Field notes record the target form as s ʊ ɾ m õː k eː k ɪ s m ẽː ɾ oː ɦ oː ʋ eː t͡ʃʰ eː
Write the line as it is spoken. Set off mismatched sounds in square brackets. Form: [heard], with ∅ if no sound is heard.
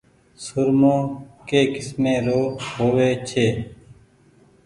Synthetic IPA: s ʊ ɾ m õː k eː k ɪ s m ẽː ɾ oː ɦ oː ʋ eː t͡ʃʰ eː